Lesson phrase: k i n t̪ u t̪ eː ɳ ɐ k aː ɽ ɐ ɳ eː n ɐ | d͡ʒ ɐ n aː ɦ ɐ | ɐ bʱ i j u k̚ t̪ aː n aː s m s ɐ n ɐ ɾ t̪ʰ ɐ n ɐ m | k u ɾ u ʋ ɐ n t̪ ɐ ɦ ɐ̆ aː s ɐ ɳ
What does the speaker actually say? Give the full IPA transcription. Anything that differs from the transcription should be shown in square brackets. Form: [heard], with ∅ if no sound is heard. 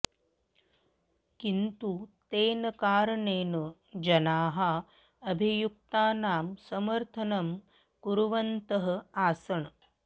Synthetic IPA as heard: k i n t̪ u t̪ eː [n] ɐ k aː [ɾ] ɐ ɳ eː n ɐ | d͡ʒ ɐ n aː ɦ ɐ | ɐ bʱ i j u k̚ t̪ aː n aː [∅] m s ɐ [m] ɐ ɾ t̪ʰ ɐ n ɐ m | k u ɾ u ʋ ɐ n t̪ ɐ ɦ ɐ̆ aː s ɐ ɳ